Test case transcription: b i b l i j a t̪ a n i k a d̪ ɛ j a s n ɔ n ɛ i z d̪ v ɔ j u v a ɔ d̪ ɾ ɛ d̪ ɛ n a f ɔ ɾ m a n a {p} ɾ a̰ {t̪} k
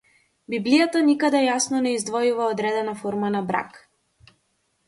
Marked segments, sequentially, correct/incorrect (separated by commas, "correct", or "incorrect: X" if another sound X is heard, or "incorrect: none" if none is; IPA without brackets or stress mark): incorrect: b, incorrect: none